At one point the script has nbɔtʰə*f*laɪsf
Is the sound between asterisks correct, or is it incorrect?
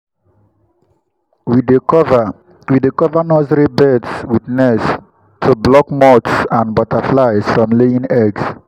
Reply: correct